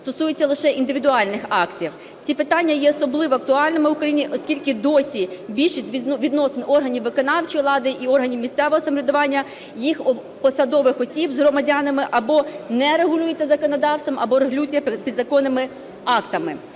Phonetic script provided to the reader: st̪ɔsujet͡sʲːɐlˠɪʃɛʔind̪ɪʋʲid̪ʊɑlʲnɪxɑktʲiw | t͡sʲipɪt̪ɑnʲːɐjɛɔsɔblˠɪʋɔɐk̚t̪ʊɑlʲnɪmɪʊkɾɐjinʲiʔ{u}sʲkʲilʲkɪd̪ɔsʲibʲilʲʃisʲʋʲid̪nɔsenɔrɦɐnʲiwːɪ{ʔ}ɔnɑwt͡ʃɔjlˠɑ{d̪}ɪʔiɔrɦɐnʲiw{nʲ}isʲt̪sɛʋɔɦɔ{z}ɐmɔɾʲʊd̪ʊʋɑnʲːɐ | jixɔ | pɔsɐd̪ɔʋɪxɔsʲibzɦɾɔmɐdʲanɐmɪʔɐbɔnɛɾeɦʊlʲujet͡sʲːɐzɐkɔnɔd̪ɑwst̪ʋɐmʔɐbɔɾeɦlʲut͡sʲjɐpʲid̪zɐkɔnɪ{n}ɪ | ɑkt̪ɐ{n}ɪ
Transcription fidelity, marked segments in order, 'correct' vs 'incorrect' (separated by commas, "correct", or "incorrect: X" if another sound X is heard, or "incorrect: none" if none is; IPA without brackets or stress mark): incorrect: ɔ, incorrect: k, correct, incorrect: mʲ, incorrect: s, incorrect: m, incorrect: m